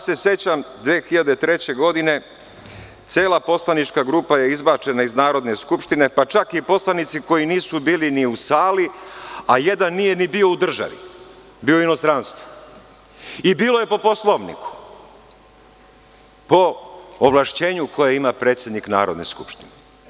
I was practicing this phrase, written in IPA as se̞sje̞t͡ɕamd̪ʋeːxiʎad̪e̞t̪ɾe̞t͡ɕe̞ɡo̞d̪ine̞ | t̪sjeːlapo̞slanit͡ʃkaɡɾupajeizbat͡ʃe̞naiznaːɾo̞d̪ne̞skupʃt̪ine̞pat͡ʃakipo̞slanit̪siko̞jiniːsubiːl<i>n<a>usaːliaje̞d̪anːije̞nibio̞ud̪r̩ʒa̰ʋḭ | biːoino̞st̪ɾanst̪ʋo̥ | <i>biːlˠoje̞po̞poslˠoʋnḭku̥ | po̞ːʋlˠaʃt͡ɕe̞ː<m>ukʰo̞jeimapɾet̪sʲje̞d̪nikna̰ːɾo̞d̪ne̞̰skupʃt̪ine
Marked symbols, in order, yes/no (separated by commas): yes, no, yes, no